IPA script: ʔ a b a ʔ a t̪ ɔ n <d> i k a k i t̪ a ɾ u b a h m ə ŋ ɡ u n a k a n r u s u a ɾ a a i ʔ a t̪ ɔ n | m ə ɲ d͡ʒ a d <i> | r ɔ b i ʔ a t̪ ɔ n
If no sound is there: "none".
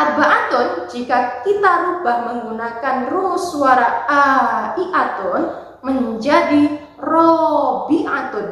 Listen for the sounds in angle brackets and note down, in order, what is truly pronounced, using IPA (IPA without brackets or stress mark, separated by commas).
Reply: d͡ʒ, i